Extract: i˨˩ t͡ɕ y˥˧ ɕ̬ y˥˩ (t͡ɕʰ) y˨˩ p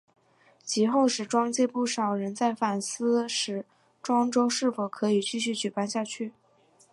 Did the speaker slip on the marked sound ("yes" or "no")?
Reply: yes